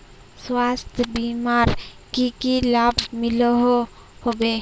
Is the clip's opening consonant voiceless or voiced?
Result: voiceless